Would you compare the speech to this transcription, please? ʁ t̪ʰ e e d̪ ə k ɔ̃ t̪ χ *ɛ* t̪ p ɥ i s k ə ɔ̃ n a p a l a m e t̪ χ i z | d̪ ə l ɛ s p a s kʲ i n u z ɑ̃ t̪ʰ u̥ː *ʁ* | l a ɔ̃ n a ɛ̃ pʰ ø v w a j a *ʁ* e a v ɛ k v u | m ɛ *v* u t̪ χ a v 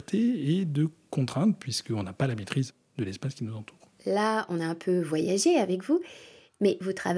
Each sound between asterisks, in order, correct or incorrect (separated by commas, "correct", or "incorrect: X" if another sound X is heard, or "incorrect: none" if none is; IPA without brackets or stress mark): incorrect: ɛ̃, correct, incorrect: ʒ, correct